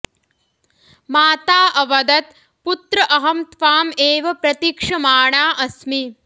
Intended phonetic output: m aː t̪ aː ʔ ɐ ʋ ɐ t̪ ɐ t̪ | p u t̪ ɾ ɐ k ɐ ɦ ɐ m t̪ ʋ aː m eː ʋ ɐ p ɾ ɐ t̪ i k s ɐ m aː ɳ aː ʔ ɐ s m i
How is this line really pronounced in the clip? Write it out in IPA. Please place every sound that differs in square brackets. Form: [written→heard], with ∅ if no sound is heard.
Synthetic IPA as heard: m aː t̪ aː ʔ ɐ ʋ ɐ [t̪→d̪] ɐ t̪ | p u t̪ ɾ ɐ [k→ʔ] ɐ ɦ ɐ m t̪ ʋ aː m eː ʋ ɐ p ɾ ɐ t̪ i k [s→ʂ] ɐ m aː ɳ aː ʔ ɐ s m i